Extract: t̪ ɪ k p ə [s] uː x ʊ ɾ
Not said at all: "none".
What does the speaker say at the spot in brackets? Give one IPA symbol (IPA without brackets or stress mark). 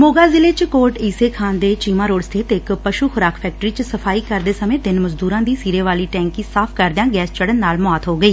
ʃ